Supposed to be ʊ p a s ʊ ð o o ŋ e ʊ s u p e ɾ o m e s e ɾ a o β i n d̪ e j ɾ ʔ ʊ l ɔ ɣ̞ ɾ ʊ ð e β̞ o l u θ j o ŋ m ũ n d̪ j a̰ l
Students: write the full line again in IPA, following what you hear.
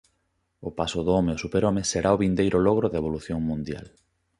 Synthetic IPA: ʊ p a s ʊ ð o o m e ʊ s u p e ɾ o m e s e ɾ a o β i n d̪ e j ɾ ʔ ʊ l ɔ ɣ̞ ɾ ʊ ð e β̞ o l u θ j o ŋ m ũ n d̪ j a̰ l